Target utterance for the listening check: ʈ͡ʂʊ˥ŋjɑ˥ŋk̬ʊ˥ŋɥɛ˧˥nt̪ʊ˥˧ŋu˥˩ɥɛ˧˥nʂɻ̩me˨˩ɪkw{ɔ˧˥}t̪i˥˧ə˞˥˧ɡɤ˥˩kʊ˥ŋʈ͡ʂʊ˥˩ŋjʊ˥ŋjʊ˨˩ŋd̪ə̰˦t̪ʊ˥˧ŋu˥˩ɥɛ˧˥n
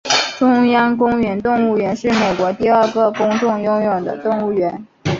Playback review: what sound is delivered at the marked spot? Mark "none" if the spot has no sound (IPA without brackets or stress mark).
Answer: ɔ˧˥